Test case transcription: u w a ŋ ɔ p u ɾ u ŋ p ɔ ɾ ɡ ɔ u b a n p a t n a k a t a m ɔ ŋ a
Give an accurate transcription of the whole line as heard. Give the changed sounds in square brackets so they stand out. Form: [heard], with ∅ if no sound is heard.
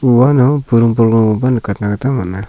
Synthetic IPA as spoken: u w a [n] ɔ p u ɾ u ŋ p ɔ [l] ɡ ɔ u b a n [k] a t n a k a t a m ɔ [n] a